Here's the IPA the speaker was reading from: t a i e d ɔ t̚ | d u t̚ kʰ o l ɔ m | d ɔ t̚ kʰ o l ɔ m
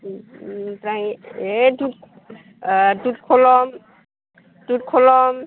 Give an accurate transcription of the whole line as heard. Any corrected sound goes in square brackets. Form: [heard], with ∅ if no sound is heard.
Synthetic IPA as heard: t a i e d [u] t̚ | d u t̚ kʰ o l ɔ m | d [u] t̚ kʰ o l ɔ m